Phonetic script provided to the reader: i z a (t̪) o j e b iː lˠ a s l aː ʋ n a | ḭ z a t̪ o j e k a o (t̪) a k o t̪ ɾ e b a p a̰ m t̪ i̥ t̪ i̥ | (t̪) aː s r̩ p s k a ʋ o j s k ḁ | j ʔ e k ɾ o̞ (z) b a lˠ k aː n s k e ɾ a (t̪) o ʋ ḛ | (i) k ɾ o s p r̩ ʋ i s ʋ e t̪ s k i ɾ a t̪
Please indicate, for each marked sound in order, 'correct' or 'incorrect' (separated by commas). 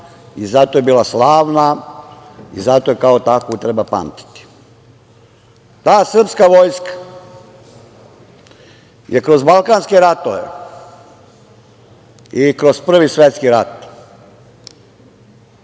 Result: correct, correct, correct, correct, correct, correct